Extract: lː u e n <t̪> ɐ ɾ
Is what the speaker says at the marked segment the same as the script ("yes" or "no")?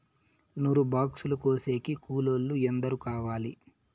no